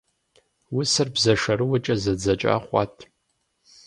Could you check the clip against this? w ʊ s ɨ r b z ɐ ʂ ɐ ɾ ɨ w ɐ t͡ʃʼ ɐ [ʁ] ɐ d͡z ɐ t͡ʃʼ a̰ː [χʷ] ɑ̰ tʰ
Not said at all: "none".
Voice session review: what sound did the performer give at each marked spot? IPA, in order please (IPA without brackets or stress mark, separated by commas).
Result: z, χʷ